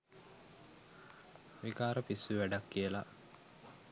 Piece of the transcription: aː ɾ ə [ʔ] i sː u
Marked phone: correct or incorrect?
incorrect: p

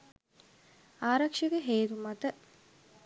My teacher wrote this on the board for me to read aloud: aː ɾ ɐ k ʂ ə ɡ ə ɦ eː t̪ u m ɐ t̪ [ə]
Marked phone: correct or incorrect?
correct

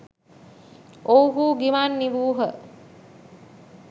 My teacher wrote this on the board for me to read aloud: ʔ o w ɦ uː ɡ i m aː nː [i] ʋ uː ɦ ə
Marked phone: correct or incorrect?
correct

